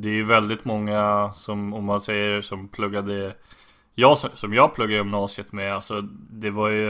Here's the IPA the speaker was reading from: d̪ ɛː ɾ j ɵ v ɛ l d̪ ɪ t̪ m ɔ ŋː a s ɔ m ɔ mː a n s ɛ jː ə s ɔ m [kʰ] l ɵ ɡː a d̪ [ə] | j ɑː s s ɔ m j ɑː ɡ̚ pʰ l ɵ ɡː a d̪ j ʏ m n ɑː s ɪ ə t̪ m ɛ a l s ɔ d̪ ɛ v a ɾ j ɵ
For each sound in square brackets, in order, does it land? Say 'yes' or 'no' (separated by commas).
no, yes